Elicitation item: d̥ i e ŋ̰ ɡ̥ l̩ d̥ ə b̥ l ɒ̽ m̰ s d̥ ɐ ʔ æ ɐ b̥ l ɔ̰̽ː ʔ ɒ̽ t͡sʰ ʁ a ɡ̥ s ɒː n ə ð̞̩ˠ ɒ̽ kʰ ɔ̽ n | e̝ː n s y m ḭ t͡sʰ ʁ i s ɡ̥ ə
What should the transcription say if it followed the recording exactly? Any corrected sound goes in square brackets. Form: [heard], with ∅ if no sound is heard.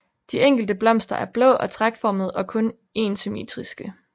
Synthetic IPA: d̥ i e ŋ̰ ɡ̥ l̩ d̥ ə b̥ l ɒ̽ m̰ s d̥ ɐ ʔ æ ɐ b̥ l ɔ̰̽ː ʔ ɒ̽ t͡sʰ ʁ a ɡ̥ [f] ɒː [m] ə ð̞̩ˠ ɒ̽ kʰ ɔ̽ n | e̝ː n s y m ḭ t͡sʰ ʁ i s ɡ̥ ə